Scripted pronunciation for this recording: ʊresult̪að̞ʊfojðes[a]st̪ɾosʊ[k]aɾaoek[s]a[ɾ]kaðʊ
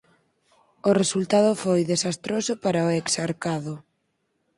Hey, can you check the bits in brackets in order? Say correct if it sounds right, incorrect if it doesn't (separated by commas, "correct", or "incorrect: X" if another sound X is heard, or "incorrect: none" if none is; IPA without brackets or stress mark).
correct, incorrect: p, correct, correct